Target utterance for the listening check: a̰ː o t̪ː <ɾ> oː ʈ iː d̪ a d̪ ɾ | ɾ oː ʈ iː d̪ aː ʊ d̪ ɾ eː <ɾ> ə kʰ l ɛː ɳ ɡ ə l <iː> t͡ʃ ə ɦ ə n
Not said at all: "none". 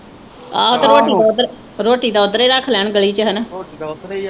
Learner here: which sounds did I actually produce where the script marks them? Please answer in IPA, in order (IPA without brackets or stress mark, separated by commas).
ɾ, ɾ, iː